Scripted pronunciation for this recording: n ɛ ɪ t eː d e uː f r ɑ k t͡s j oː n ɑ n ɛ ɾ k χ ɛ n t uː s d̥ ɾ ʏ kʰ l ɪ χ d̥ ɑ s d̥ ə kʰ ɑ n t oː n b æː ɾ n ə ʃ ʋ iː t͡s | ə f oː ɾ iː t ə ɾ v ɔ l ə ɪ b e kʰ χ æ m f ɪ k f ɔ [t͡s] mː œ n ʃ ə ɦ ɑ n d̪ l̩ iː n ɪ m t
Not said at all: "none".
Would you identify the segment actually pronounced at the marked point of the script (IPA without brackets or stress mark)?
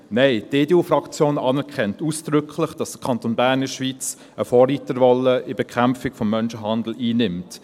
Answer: none